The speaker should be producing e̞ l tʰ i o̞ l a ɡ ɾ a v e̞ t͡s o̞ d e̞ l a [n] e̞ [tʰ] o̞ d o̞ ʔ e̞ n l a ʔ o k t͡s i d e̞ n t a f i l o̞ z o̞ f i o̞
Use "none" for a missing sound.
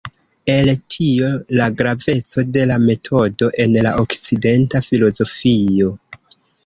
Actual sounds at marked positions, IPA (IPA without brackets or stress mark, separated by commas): m, tʰ